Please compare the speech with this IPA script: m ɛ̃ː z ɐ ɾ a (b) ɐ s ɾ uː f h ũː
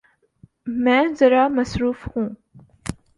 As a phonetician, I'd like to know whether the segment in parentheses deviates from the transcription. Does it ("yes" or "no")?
yes